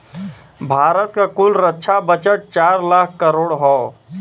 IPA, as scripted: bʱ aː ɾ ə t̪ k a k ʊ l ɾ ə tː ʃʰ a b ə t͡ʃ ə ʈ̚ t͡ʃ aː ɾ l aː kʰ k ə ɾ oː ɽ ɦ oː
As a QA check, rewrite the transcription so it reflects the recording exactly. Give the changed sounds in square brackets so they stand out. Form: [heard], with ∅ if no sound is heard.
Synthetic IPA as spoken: bʱ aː ɾ ə t̪ k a k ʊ l ɾ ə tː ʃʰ a b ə t͡ʃ ə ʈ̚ t͡ʃ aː ɾ l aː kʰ k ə ɾ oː ɽ ɦ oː

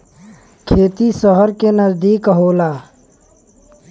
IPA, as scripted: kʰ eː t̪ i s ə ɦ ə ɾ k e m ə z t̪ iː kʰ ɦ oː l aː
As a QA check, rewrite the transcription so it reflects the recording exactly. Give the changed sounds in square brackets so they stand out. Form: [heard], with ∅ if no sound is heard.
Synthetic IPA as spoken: kʰ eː t̪ i s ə ɦ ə ɾ k e [n] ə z [d̪] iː [k] ɦ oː l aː

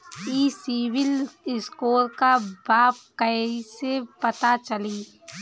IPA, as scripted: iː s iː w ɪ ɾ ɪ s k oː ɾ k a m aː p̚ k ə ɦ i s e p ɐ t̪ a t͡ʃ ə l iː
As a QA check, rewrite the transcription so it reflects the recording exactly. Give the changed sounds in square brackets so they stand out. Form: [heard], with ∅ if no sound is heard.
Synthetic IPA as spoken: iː s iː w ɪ [l] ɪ s k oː ɾ k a [b] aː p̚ k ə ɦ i s e p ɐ t̪ a t͡ʃ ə l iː

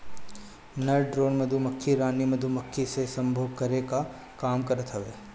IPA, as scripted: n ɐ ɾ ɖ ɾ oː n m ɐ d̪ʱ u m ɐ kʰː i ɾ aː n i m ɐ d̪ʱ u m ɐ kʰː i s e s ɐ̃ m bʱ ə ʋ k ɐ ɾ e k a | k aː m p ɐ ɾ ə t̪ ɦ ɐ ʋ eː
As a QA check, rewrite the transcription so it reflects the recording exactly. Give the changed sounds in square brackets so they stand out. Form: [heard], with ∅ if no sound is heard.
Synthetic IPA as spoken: n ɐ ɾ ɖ ɾ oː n m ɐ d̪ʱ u m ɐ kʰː i ɾ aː n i m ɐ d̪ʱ u m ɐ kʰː i s e s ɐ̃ m bʱ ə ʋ k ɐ ɾ e k a | k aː m [k] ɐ ɾ ə t̪ ɦ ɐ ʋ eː

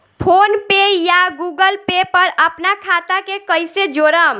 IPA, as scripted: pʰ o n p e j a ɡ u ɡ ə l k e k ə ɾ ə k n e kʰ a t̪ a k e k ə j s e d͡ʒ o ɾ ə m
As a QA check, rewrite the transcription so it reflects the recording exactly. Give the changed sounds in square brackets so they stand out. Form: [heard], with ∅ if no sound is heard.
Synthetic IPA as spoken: pʰ o n p e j a ɡ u ɡ ə l [p] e [p] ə ɾ ə [p] n [a] kʰ a t̪ a k e k ə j s e d͡ʒ o ɾ ə m

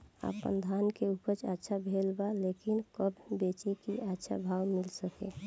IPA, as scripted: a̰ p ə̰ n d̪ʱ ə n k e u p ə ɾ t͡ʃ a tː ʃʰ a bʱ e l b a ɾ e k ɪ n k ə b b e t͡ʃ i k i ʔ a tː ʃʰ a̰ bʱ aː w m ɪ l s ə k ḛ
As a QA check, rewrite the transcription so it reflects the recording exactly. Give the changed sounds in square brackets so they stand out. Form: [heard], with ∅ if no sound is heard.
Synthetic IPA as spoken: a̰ p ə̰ n d̪ʱ [a] n k e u p ə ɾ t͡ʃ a tː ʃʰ a bʱ e l b a [l] e k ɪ n k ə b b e t͡ʃ i k i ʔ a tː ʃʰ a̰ bʱ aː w m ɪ l s ə k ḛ

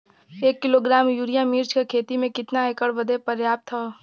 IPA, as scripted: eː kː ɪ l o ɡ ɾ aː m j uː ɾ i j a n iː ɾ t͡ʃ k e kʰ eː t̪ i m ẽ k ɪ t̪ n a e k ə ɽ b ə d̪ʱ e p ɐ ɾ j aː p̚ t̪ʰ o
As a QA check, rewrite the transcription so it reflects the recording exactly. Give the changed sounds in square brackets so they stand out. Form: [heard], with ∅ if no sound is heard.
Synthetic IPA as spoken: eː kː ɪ l o ɡ ɾ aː m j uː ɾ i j a [m] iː ɾ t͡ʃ k e kʰ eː t̪ i m ẽ k ɪ t̪ n a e k ə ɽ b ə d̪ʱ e p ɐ ɾ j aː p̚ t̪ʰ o

